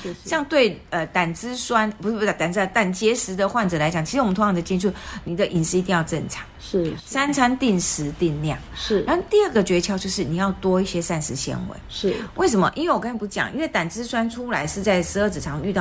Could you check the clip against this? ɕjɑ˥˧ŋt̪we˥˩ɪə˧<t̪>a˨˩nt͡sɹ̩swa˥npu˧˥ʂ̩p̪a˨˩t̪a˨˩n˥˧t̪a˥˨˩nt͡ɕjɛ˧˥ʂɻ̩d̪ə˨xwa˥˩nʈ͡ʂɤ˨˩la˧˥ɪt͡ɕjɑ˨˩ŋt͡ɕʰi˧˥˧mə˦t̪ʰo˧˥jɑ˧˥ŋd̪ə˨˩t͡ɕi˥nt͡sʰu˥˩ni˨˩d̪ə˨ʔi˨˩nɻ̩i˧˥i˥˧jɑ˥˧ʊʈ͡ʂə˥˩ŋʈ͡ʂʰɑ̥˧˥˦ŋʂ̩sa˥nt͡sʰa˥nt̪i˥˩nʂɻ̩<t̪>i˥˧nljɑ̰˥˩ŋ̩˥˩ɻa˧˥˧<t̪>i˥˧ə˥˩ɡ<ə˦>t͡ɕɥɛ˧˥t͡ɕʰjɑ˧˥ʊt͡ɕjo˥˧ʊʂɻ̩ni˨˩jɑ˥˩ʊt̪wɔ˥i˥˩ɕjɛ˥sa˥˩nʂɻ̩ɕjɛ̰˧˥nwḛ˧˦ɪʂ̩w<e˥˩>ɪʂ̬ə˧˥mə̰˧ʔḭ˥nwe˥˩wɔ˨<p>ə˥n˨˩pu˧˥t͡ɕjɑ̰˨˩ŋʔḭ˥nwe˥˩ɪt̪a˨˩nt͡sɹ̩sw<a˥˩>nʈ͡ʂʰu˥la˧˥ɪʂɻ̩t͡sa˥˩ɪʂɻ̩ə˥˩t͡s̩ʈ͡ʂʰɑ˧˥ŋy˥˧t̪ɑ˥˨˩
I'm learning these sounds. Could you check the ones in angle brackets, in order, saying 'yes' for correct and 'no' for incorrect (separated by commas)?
yes, yes, yes, no, yes, no, no